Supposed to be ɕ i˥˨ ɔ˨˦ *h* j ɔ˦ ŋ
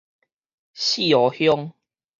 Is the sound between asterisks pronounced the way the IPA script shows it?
yes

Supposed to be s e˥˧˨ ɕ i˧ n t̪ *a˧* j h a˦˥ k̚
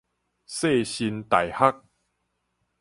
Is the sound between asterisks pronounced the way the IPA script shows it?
no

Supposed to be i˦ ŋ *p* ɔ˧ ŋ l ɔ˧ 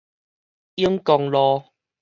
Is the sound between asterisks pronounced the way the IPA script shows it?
no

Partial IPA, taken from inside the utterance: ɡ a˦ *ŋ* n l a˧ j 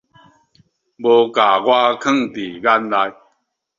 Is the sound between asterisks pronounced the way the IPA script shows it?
no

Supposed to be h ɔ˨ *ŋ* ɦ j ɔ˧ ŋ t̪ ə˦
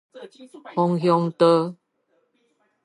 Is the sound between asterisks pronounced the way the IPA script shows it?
yes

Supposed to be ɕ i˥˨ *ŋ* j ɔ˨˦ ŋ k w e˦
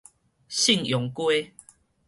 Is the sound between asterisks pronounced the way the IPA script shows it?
yes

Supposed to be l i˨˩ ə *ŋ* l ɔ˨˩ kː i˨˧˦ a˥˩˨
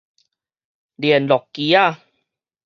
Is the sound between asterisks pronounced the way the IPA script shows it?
no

